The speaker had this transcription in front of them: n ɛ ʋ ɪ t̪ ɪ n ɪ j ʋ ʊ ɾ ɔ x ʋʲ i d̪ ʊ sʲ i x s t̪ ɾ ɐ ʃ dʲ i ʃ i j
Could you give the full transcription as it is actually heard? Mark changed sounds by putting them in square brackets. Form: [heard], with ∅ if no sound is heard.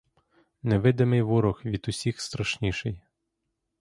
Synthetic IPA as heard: n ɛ ʋ ɪ [d̪] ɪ [m] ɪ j ʋ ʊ ɾ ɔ x ʋʲ i d̪ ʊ sʲ i x s t̪ ɾ ɐ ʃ [nʲ] i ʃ [ɪ] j